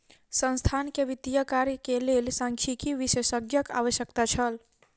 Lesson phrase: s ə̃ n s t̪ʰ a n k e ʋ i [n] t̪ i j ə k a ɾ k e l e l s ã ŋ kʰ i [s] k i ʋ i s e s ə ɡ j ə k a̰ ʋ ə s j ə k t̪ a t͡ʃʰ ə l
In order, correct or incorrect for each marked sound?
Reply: incorrect, incorrect

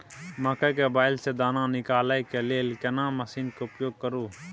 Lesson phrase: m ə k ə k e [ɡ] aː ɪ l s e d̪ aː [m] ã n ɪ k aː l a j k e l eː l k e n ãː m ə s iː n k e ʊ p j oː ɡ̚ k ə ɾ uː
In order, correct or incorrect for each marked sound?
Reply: incorrect, incorrect

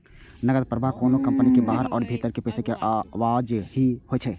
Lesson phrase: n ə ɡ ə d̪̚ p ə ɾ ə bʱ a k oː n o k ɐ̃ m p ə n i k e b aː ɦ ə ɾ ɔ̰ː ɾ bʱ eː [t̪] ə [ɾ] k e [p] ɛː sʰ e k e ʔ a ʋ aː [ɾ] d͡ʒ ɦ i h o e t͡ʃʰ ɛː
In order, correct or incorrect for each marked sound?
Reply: correct, correct, correct, incorrect

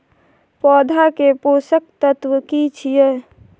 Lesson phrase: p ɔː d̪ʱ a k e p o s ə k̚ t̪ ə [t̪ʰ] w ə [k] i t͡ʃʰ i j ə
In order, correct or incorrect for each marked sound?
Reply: incorrect, correct

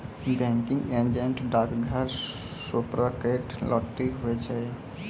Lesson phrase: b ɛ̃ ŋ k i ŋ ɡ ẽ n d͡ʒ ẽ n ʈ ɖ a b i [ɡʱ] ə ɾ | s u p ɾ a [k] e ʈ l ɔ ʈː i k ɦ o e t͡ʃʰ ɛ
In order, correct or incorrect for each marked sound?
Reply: correct, correct

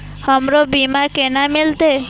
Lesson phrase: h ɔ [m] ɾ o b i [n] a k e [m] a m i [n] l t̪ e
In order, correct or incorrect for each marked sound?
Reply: correct, incorrect, incorrect, incorrect

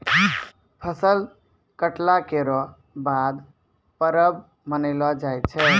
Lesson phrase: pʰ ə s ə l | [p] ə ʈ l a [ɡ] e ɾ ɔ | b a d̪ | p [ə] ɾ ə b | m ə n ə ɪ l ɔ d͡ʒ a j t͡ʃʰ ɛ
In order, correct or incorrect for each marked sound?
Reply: incorrect, incorrect, correct

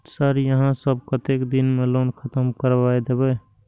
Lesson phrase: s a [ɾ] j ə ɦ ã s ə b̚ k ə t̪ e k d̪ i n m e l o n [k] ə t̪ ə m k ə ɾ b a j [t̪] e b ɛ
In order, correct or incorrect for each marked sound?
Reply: correct, incorrect, incorrect

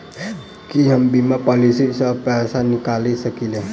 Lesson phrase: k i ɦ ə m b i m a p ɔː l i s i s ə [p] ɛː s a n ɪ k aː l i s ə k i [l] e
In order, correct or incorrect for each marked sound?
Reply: correct, correct

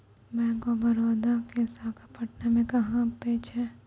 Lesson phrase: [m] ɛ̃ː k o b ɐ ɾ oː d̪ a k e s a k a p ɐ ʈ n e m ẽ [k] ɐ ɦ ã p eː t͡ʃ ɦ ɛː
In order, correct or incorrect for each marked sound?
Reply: correct, correct

